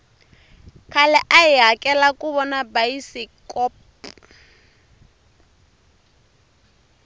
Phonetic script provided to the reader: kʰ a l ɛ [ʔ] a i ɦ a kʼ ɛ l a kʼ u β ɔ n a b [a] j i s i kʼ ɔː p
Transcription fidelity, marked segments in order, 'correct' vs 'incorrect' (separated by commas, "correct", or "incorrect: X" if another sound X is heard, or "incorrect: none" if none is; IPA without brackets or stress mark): correct, correct